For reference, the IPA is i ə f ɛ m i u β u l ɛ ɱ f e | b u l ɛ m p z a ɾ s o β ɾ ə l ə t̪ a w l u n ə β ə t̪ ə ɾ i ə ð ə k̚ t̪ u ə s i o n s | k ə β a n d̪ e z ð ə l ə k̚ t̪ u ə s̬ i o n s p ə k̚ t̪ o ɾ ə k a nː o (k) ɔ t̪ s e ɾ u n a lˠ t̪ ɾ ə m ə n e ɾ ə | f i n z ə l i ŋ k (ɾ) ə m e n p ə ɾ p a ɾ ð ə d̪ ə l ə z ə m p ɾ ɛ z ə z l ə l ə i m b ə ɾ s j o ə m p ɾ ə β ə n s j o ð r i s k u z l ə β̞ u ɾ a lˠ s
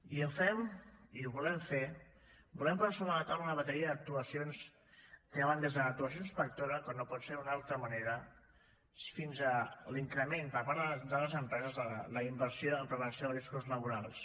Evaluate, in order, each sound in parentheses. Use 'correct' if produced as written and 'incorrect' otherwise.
incorrect, correct

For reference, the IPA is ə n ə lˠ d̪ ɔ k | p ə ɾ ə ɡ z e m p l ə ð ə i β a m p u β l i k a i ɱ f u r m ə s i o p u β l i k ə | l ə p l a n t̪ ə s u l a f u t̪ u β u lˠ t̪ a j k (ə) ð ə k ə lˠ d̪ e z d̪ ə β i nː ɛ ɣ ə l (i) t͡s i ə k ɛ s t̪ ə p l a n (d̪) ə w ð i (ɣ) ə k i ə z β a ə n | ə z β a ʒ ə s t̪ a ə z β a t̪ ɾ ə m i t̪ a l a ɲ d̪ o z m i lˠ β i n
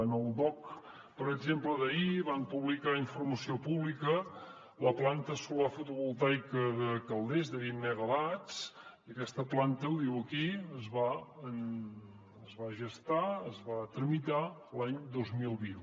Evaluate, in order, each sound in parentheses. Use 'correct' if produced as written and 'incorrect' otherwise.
correct, incorrect, incorrect, incorrect

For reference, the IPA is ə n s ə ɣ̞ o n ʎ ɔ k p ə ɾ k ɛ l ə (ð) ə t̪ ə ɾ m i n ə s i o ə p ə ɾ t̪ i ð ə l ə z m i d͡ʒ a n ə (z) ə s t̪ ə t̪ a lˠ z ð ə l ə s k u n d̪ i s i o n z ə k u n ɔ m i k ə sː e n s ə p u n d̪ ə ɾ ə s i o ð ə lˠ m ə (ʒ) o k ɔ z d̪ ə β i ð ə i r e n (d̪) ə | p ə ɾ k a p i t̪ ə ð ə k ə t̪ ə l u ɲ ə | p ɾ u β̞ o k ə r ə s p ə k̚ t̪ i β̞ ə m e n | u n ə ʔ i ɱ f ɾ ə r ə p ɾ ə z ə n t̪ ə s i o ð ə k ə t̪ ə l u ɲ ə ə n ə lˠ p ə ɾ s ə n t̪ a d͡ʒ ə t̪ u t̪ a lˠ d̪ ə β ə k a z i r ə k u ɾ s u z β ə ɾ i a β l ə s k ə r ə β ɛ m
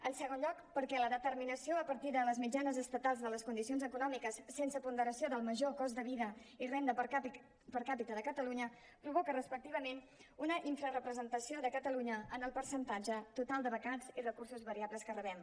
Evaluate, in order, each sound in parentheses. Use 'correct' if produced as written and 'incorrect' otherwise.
correct, correct, correct, correct

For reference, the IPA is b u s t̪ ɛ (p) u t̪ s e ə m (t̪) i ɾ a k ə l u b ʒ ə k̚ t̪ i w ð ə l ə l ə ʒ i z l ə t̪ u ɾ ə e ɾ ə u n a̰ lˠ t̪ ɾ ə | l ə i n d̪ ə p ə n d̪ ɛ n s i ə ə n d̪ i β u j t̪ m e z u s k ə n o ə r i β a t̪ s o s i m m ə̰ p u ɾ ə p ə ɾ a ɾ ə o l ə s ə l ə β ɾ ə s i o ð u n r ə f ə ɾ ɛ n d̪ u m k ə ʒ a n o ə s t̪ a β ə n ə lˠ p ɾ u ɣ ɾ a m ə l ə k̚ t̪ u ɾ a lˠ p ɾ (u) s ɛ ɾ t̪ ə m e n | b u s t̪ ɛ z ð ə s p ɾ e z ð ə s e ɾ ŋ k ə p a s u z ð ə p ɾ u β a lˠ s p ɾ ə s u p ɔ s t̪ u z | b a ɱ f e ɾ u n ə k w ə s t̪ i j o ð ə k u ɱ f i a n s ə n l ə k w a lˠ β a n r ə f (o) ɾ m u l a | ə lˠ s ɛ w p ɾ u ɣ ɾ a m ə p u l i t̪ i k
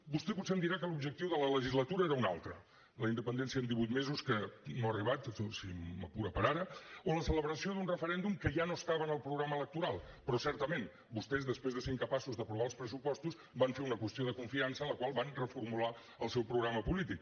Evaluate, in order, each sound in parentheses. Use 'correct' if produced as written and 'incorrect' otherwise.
correct, incorrect, incorrect, incorrect

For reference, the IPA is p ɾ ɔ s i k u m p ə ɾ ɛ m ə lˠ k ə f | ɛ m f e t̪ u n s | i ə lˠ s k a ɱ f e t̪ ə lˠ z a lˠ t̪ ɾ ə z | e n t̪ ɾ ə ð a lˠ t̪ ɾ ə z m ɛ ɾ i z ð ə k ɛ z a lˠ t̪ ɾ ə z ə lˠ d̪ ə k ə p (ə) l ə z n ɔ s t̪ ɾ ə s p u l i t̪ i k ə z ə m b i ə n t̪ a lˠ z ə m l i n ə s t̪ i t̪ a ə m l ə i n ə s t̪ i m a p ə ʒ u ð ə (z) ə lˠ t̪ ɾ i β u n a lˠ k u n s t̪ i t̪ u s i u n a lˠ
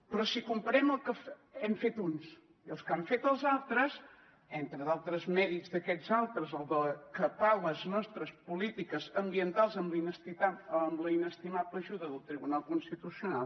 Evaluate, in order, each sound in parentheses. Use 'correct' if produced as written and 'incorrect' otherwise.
incorrect, incorrect

